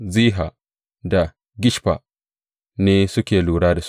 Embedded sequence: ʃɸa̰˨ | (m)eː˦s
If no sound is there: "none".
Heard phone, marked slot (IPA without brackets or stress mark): n